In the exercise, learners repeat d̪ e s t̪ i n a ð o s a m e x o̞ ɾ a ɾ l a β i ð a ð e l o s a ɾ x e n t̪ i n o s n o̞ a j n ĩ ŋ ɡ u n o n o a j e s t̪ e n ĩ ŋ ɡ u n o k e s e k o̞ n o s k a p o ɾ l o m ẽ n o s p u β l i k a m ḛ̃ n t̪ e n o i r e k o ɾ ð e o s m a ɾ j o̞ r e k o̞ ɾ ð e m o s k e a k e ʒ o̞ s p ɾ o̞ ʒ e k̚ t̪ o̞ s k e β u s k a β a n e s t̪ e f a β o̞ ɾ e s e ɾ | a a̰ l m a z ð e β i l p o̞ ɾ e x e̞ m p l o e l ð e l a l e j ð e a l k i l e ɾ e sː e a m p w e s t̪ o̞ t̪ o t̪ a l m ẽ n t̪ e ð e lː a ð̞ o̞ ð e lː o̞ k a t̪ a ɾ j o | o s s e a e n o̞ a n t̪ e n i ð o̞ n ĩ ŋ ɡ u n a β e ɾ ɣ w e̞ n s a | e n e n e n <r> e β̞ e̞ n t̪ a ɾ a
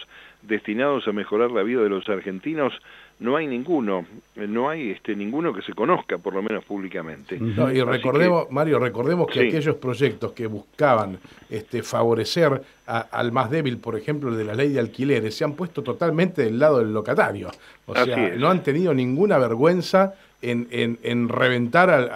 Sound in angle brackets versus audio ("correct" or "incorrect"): correct